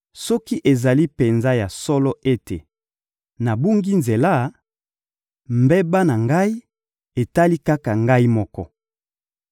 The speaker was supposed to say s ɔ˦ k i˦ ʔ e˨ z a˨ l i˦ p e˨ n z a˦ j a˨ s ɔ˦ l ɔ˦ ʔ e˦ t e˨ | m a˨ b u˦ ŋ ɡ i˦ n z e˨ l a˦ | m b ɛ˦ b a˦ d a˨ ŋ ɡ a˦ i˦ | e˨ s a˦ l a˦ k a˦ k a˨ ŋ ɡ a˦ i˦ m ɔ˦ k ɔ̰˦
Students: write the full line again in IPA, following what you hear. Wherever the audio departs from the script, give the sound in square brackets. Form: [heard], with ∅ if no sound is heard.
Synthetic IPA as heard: s ɔ˦ k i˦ ʔ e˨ z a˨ l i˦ p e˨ n z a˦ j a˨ s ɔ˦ l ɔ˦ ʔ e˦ t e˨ | [n] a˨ b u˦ ŋ ɡ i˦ n z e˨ l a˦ | m b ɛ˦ b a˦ [n] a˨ ŋ ɡ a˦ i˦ | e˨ [t] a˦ l [i˦] k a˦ k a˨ ŋ ɡ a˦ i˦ m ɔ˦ k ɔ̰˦